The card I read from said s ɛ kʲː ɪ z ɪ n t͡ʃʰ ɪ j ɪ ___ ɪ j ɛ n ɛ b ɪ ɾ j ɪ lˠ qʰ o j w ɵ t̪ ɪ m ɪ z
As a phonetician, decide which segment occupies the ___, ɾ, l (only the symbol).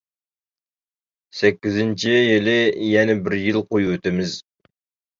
l